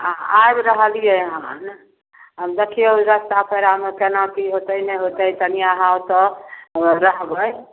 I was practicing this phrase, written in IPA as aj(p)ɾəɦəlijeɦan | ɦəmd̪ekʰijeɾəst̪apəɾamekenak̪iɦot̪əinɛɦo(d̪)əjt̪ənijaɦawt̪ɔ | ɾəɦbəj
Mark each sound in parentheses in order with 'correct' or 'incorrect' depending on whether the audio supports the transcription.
incorrect: b, incorrect: t̪

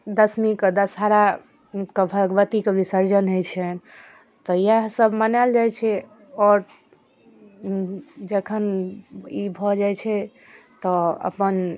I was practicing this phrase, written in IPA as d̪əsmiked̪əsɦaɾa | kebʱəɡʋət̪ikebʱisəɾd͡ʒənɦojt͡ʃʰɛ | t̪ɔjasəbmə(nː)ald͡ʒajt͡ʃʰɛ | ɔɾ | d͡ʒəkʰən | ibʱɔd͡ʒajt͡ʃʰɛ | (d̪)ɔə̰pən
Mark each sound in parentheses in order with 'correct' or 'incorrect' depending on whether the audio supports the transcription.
incorrect: n, incorrect: t̪

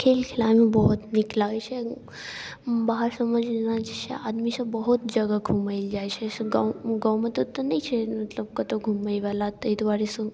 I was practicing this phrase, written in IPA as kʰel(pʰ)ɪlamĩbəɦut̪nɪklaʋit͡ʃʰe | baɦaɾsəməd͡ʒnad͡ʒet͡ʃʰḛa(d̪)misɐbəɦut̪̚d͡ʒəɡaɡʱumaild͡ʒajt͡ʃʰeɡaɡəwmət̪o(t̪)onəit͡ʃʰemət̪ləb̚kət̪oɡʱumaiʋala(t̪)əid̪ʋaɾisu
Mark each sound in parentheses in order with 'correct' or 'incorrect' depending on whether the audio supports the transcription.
incorrect: kʰ, correct, correct, correct

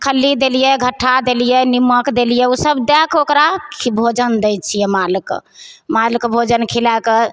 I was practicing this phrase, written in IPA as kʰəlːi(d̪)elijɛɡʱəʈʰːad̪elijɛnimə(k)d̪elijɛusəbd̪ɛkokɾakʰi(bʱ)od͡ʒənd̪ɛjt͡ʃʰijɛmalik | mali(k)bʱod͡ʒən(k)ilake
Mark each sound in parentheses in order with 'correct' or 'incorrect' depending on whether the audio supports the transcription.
correct, correct, correct, correct, incorrect: kʰ

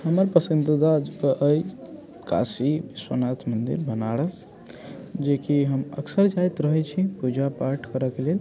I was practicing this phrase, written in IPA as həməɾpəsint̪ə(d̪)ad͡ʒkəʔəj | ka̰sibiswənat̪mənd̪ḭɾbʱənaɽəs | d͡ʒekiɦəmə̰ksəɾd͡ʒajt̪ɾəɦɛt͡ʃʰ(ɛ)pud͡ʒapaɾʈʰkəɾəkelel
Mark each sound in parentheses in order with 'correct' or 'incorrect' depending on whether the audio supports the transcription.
correct, incorrect: i

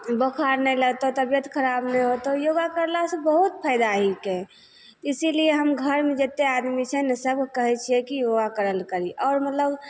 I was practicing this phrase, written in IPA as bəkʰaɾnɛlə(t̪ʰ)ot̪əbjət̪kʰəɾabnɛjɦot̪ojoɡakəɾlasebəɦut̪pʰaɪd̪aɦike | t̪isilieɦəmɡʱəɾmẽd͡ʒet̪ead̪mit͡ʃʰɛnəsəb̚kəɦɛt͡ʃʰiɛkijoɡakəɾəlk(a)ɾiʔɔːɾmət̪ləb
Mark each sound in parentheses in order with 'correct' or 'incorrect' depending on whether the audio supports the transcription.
incorrect: t̪, incorrect: ə

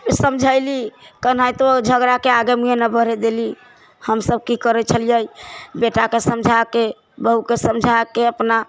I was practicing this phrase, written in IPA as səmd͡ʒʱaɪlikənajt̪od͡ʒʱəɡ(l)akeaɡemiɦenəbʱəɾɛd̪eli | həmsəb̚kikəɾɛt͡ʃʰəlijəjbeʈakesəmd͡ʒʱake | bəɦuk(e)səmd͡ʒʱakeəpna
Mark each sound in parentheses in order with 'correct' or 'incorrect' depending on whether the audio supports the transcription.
incorrect: ɾ, correct

